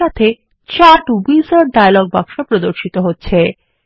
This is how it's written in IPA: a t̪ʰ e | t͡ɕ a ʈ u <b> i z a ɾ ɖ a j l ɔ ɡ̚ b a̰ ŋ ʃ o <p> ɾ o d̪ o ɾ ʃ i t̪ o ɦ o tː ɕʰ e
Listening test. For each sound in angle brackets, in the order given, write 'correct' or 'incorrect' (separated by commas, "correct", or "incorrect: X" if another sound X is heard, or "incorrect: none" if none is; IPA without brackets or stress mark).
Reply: correct, correct